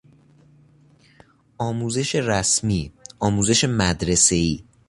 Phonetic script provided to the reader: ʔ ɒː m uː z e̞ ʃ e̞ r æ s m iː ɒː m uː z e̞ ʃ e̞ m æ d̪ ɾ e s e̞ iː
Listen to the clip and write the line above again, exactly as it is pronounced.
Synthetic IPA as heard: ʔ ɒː m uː z e̞ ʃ e̞ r æ s m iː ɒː m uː z e̞ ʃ e̞ m æ d̪ ɾ e s e̞ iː